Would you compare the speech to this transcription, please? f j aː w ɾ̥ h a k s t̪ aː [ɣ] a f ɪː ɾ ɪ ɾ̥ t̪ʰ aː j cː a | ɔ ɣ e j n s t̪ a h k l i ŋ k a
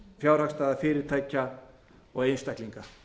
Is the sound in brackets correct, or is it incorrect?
incorrect